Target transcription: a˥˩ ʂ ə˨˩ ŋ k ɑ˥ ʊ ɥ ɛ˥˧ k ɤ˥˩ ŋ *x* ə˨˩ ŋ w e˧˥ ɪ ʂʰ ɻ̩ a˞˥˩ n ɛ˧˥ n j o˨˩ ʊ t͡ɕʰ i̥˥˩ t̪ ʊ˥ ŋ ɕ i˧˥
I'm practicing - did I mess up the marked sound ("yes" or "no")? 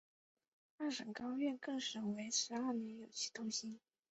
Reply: yes